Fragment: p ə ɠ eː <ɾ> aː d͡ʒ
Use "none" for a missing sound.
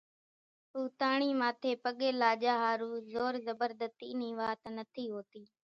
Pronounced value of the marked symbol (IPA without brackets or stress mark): l